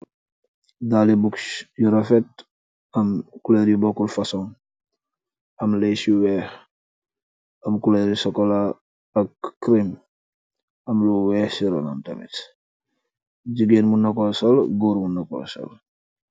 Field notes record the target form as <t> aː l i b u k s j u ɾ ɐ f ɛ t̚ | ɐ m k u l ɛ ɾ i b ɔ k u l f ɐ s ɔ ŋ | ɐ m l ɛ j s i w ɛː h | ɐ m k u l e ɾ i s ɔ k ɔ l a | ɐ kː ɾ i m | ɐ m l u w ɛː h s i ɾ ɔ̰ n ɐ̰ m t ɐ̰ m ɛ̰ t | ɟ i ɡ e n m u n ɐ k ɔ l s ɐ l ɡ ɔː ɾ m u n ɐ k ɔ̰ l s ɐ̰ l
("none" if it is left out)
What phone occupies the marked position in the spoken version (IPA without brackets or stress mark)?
d